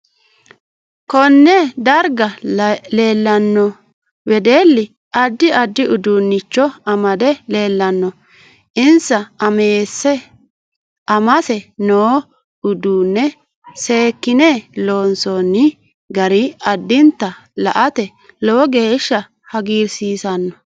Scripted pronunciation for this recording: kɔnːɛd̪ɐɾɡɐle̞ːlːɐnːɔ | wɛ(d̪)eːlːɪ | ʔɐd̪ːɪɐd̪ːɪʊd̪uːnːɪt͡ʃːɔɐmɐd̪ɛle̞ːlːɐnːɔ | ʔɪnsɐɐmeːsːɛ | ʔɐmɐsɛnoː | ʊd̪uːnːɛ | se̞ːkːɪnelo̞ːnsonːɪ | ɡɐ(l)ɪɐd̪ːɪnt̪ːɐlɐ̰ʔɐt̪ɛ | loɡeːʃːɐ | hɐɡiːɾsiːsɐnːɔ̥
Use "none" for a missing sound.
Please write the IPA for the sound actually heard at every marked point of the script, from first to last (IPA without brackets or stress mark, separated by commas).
d̪, ɾ